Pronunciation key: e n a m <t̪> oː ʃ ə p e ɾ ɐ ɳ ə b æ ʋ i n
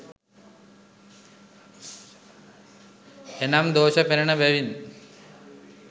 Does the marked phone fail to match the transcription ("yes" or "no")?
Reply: yes